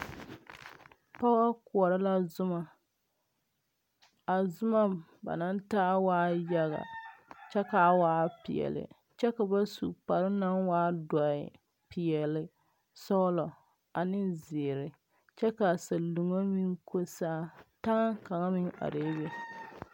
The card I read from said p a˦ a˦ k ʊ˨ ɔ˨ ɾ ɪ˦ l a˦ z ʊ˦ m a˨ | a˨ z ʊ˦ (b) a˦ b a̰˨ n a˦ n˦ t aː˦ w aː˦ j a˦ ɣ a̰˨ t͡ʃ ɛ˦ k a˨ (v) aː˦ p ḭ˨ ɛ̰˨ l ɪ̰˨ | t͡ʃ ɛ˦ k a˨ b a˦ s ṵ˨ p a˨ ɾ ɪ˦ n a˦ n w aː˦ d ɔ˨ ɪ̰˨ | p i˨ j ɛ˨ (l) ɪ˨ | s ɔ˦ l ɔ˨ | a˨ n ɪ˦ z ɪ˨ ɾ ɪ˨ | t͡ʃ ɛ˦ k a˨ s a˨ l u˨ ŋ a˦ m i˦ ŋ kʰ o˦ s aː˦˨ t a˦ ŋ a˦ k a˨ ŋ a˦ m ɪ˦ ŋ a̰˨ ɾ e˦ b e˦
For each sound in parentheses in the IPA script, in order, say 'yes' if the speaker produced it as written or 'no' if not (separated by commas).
no, no, yes